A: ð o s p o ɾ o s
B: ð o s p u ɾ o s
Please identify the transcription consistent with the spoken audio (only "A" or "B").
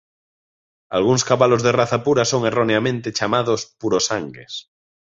B